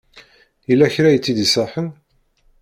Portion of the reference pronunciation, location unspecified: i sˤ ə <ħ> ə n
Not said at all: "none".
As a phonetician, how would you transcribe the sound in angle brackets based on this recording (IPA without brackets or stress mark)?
ħ